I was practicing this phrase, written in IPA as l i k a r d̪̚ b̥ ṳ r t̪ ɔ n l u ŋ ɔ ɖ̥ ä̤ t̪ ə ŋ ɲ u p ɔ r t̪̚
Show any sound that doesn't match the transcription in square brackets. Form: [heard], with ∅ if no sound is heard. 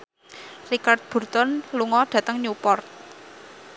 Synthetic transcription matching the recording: [r] i k a r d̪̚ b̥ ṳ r t̪ ɔ n l u ŋ ɔ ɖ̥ ä̤ t̪ ə ŋ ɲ u p ɔ r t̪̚